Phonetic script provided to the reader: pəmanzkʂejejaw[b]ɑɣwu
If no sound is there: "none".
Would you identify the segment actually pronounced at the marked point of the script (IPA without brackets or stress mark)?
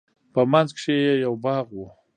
b